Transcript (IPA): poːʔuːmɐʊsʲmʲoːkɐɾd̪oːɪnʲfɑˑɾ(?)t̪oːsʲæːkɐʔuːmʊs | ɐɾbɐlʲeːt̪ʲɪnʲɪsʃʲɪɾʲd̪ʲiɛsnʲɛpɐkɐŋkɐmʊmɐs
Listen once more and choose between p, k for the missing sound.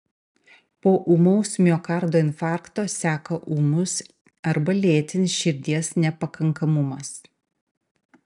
k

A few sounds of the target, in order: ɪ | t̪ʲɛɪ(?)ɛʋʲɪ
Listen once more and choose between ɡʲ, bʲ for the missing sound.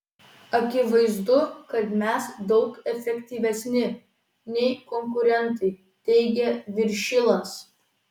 ɡʲ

